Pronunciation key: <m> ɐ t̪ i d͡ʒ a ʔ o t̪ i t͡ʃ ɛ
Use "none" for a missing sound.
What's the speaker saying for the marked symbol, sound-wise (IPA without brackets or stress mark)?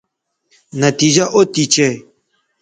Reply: n